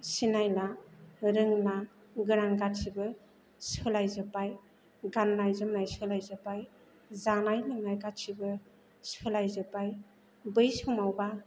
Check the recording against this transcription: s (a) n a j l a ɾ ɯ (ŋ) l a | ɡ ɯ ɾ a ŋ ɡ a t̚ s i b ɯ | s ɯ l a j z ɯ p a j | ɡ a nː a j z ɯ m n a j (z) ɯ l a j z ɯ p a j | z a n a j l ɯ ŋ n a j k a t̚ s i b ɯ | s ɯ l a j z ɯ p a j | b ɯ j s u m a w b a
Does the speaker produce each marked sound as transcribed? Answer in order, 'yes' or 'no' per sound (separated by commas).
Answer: no, yes, no